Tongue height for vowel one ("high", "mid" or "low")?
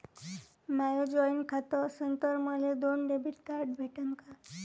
low